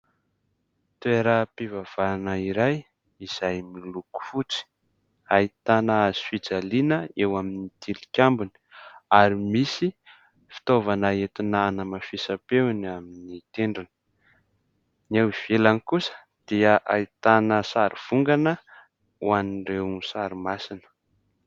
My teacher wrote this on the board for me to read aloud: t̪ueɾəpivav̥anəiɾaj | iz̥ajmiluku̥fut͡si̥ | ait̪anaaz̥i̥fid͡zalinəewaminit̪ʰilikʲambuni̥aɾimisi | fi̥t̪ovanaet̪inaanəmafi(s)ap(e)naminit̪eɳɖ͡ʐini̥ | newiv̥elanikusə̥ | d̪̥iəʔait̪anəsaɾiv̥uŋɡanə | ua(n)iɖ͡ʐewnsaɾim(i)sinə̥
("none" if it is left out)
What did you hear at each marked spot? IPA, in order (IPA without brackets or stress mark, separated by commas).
s, e, n, a